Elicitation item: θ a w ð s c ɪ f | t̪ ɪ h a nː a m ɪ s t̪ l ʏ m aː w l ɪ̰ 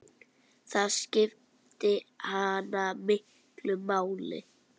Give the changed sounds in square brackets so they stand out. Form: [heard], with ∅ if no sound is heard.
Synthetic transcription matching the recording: θ a [∅] ð s c ɪ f | t̪ ɪ h a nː a m ɪ [h] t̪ l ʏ m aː w l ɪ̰